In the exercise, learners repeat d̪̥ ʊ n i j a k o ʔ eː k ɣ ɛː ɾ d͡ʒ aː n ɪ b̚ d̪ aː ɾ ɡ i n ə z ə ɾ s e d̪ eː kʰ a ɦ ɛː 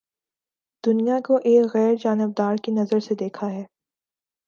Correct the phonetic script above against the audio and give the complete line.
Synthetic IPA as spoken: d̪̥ ʊ n i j a k o ʔ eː k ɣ ɛː ɾ d͡ʒ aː n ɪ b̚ d̪ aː ɾ k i n ɐ z ə ɾ s e d̪ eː kʰ a ɦ ɛː